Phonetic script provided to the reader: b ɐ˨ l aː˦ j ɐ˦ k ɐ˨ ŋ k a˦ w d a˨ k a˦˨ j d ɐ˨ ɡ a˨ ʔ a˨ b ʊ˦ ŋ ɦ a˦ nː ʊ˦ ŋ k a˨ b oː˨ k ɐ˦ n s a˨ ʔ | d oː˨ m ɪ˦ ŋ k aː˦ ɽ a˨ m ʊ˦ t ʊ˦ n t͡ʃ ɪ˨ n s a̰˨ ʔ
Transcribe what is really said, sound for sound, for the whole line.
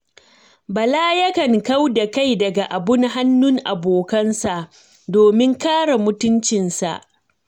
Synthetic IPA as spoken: b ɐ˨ l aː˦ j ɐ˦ k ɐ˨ ŋ k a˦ w d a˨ k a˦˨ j d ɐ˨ ɡ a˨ ʔ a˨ b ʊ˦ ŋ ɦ a˦ nː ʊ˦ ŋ ʔ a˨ b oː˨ k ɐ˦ n s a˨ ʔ | d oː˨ m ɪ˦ ŋ k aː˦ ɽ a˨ m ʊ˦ t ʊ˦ n t͡ʃ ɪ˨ n s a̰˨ ʔ

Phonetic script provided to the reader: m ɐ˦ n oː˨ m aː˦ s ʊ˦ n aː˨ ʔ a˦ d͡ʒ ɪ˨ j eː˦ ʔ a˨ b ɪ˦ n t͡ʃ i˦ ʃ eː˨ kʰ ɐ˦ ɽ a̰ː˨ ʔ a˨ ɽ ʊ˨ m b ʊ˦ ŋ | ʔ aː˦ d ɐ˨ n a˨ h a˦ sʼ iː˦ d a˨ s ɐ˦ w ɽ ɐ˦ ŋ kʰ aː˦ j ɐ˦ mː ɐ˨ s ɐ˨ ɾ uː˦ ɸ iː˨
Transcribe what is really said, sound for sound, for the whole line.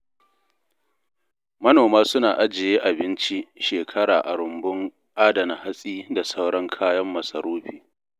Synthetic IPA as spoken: m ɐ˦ n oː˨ m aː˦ s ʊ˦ n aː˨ ʔ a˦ d͡ʒ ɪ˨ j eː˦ ʔ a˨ b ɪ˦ n t͡ʃ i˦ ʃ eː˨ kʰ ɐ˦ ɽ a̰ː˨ ʔ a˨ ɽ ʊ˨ m b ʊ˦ ŋ | ʔ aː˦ d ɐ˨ n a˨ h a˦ sʼ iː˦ d a˨ s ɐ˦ w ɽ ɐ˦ ŋ kʰ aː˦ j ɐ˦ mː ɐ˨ s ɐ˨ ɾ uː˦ ɸ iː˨

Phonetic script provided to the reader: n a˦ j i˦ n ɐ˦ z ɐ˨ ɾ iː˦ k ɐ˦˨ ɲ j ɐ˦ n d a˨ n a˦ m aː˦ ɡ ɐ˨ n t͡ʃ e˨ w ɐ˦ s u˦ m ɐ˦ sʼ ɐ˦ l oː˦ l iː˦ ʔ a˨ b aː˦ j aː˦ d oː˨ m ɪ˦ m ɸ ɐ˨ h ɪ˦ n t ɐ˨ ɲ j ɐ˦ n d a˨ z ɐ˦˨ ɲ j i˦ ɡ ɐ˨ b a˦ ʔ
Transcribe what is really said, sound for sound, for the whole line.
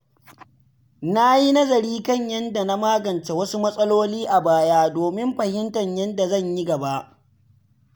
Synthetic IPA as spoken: n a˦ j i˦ n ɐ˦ z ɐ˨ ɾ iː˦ k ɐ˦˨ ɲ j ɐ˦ n d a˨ n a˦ m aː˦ ɡ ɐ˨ n t͡ʃ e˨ w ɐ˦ s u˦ m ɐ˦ sʼ ɐ˦ l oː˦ l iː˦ ʔ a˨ b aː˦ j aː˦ d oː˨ m ɪ˦ m ɸ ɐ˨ h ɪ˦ n t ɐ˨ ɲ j ɐ˦ n d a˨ z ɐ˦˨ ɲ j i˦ ɡ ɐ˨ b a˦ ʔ

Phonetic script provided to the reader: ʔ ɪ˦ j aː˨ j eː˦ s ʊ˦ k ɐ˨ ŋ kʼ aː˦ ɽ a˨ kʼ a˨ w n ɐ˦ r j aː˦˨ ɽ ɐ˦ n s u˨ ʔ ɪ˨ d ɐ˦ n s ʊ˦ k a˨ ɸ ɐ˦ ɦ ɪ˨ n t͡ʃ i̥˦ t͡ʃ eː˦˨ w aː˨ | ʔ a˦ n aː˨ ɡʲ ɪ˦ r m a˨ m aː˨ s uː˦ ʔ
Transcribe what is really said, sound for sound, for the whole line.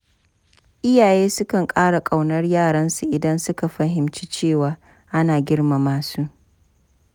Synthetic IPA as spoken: ʔ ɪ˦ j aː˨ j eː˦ s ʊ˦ k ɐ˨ ŋ kʼ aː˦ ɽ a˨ kʼ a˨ w n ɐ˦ r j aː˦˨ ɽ ɐ˦ n s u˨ ʔ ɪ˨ d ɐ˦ n s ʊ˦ k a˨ ɸ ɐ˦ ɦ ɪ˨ m t͡ʃ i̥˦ t͡ʃ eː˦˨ w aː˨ | ʔ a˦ n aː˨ ɡʲ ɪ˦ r m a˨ m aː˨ s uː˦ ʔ

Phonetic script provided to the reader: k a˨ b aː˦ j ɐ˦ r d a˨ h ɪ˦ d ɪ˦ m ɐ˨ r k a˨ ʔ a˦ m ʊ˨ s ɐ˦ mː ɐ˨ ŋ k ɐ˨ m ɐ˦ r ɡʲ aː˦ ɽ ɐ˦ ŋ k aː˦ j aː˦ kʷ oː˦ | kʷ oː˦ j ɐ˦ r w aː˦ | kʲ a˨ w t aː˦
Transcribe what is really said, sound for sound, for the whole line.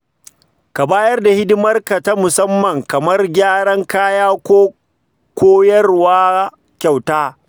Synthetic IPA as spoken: k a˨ b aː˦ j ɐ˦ r d a˨ h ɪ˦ d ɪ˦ m ɐ˦ r k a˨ t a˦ m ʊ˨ s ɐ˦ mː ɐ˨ ŋ k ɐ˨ m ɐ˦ r ɡʲ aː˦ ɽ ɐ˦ ŋ k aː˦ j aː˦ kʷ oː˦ | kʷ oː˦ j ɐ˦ r w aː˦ | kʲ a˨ w t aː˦

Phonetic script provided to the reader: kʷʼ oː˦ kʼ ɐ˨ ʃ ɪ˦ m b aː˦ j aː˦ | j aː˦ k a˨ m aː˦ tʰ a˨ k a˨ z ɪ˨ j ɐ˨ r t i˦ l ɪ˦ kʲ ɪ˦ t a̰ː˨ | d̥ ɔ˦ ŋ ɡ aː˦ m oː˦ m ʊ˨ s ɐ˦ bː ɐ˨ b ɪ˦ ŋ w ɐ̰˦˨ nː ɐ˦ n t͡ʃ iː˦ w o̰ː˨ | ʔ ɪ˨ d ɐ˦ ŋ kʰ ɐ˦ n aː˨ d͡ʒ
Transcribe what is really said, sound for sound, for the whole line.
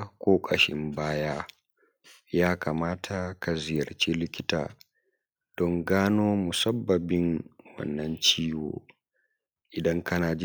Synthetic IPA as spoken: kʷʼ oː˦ kʼ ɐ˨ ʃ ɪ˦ m b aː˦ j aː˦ | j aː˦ k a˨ m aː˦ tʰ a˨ k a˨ z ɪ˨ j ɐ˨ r t͡ʃ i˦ l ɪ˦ kʲ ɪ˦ t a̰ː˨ | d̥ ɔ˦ ŋ ɡ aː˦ n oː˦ m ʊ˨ s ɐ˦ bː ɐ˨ b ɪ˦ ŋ w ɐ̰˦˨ nː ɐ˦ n t͡ʃ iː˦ w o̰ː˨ | ʔ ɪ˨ d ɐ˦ ŋ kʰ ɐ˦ n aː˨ d͡ʒ

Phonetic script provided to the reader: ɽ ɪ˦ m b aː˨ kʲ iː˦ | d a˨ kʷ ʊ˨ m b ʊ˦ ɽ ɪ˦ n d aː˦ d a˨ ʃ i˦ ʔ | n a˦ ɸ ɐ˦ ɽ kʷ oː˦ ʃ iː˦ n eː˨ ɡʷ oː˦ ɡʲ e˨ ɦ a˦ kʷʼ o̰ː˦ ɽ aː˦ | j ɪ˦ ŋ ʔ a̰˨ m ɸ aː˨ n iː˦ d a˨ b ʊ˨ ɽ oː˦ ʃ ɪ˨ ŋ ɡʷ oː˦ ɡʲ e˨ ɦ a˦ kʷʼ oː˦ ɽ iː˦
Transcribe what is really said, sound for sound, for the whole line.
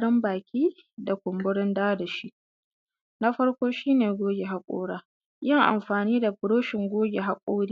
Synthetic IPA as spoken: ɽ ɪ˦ m b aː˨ kʲ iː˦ | d a˨ kʷ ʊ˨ m b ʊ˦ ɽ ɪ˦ n d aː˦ d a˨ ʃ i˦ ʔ | n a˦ ɸ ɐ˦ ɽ kʷ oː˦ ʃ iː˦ n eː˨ ɡʷ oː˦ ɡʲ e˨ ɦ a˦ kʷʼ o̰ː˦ ɽ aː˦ | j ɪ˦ ŋ ʔ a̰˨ m ɸ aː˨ n iː˦ d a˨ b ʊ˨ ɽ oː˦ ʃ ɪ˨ ŋ ɡʷ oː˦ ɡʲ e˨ ɦ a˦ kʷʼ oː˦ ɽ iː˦

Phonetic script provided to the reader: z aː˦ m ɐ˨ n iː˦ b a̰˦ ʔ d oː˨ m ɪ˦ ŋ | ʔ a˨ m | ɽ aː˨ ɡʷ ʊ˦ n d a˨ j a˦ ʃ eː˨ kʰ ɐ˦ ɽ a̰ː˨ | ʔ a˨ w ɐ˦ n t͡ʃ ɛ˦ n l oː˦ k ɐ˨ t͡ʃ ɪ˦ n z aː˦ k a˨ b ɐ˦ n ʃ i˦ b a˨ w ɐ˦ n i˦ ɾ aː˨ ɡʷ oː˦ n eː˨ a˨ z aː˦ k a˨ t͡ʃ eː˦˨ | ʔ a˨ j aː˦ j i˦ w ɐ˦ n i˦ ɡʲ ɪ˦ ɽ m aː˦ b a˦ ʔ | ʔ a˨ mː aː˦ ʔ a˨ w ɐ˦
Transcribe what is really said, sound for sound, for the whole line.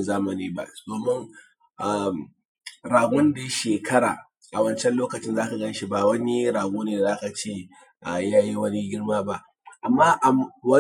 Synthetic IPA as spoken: z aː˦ m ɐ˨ n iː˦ b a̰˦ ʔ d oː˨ m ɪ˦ ŋ | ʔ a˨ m | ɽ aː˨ ɡʷ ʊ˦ n d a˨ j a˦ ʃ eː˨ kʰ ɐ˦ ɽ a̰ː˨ | ʔ a˨ w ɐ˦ n t͡ʃ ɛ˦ n l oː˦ k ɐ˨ t͡ʃ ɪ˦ n z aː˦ k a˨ ɡ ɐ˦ n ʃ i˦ b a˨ w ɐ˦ n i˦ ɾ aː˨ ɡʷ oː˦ n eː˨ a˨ z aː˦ k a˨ t͡ʃ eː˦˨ | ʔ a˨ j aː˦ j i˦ w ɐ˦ n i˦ ɡʲ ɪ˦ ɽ m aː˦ b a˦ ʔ | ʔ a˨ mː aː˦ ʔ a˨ w ɐ˦

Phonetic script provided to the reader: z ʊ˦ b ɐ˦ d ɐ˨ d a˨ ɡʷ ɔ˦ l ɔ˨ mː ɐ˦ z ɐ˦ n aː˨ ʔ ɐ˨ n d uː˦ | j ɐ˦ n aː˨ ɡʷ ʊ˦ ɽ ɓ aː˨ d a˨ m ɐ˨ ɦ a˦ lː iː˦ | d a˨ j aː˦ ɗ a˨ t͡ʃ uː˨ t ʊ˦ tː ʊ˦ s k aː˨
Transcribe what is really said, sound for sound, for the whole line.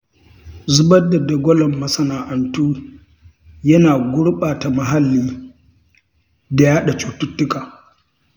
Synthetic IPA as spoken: z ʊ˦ b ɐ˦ d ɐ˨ d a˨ ɡʷ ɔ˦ l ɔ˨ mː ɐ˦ s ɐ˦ n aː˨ ʔ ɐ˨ n t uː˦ | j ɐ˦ n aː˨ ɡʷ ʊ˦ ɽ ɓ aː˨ t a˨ m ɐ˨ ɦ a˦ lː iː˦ | d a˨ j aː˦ ɗ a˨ t͡ʃ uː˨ t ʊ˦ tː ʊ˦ k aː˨

